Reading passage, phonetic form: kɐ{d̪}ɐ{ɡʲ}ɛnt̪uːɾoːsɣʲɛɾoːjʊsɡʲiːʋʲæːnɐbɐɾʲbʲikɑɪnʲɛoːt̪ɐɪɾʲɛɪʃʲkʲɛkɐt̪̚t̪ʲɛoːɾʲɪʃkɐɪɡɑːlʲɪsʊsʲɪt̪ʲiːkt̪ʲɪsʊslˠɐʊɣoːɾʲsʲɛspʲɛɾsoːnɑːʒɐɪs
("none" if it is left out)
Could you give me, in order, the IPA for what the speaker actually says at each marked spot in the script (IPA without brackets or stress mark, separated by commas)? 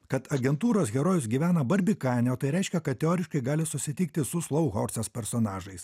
t̪, ɡʲ